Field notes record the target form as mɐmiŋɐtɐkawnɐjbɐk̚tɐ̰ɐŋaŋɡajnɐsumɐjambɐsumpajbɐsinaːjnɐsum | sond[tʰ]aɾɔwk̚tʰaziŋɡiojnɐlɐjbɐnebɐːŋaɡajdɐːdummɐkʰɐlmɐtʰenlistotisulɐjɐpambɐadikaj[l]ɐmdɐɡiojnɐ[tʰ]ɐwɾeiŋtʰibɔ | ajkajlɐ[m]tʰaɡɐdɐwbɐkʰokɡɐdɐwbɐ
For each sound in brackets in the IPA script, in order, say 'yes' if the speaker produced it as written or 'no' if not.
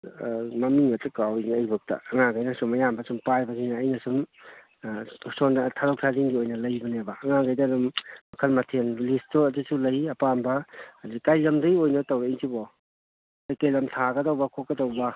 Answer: yes, yes, no, yes

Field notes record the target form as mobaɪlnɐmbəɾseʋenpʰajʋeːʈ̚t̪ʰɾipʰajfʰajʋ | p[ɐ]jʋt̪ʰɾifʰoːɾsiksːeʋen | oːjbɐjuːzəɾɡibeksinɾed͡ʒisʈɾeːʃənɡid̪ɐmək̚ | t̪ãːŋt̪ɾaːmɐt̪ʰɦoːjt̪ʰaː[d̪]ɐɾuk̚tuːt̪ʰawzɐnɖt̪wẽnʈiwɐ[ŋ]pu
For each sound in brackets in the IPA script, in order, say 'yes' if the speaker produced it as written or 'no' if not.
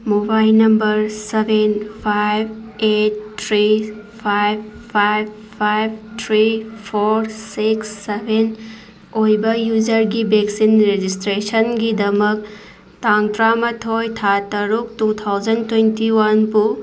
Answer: no, no, no

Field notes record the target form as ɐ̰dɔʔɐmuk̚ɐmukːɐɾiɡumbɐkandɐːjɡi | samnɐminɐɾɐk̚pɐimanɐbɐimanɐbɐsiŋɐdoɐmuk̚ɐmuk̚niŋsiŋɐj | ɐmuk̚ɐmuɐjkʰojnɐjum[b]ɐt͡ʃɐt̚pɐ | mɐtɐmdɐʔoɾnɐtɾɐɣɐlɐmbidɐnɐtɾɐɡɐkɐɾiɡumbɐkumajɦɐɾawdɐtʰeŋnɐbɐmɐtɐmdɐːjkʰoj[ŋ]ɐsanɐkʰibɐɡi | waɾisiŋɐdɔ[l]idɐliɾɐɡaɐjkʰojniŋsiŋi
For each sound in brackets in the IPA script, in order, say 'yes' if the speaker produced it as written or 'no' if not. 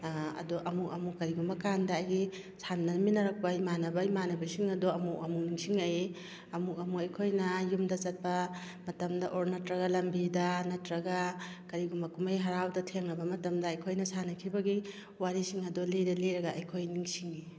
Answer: no, no, yes

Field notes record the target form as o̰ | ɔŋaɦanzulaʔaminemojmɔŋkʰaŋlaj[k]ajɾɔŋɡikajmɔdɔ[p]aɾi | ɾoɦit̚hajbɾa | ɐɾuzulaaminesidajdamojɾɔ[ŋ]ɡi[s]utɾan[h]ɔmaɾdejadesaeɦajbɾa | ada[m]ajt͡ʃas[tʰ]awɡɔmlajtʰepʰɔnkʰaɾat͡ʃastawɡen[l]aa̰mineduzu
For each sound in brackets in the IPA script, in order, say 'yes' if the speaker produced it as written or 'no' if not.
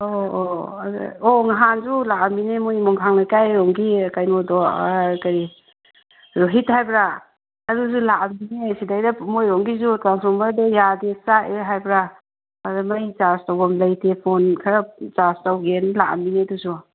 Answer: yes, no, yes, no, no, yes, no, yes

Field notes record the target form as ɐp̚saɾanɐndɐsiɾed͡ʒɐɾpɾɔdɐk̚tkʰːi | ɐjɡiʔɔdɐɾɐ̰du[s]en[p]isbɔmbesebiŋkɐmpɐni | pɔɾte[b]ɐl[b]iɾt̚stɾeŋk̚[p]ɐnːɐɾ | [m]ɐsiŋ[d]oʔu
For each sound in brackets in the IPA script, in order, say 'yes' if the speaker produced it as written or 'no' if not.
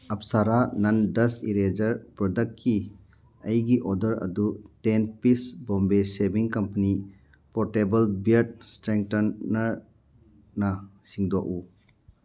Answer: no, yes, yes, yes, no, no, yes

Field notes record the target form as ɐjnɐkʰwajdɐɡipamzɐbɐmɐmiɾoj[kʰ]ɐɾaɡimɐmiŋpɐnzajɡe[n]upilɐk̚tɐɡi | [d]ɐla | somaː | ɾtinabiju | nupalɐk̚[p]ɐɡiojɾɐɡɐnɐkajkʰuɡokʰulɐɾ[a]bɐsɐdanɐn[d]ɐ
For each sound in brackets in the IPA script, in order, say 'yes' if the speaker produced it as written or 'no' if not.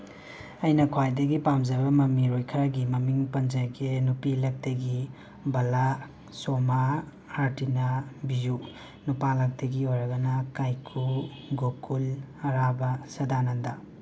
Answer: yes, yes, no, no, yes, yes

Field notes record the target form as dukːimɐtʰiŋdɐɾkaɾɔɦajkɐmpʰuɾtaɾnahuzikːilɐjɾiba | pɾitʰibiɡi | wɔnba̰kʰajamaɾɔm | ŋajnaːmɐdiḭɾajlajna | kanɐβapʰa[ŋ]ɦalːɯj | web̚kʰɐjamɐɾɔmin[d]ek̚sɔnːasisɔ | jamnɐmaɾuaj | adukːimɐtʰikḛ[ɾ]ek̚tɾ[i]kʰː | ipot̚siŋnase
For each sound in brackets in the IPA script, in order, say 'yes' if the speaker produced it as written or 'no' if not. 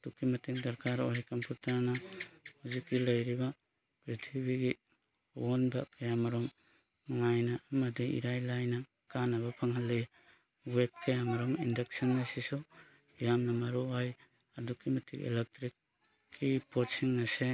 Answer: yes, yes, no, yes

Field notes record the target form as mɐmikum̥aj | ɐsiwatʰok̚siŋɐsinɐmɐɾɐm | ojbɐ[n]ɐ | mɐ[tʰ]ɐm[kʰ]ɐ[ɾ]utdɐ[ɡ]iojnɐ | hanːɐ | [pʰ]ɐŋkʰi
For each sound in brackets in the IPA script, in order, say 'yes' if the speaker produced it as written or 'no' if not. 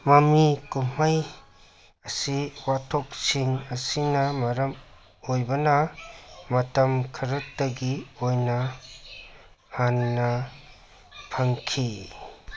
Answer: yes, no, yes, yes, yes, yes

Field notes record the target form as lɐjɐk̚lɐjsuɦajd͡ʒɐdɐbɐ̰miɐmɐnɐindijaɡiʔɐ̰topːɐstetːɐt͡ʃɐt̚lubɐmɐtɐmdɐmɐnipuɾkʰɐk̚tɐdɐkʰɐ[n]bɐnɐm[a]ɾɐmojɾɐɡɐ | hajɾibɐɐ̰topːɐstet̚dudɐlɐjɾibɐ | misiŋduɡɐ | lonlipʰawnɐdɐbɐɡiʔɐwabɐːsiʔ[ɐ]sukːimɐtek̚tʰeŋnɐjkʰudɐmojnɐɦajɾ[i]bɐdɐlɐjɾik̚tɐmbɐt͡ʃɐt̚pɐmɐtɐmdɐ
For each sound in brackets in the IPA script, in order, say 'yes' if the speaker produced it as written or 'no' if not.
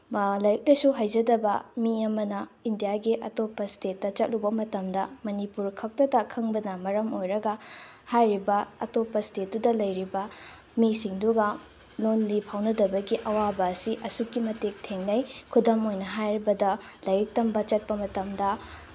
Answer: no, no, yes, yes

